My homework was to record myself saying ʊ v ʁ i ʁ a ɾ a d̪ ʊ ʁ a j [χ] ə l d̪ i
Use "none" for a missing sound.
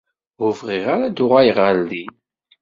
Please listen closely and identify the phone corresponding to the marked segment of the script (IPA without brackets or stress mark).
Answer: ʁ